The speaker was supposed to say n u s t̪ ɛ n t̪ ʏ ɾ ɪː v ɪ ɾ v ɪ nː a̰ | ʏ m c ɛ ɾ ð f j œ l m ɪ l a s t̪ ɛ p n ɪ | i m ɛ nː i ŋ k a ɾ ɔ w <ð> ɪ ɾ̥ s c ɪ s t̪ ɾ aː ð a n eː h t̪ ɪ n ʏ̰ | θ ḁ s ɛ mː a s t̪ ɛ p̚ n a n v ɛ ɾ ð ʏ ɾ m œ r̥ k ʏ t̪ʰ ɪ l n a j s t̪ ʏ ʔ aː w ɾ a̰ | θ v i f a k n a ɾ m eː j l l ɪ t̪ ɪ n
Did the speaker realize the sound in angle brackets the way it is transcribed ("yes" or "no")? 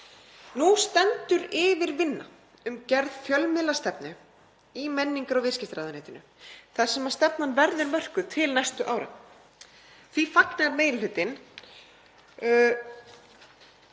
no